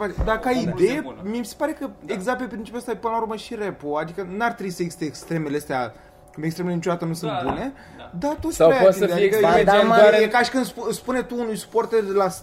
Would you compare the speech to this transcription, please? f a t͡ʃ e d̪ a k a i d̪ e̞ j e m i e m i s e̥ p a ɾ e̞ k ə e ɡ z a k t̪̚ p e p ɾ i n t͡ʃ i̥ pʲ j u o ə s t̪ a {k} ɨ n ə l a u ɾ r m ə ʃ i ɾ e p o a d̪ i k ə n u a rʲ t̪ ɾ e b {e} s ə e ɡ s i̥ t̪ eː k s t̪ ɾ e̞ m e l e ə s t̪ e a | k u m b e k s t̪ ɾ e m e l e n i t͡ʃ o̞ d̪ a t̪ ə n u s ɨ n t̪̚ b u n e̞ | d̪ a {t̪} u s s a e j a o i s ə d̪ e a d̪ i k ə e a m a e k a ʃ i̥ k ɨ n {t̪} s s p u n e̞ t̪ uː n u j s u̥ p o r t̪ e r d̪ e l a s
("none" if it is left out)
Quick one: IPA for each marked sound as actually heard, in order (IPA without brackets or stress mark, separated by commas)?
p, i, t̪, d̪